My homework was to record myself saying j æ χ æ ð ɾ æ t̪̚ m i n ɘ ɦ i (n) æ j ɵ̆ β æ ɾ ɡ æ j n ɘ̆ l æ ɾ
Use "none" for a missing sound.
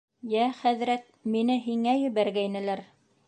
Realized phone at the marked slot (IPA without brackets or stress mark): ŋ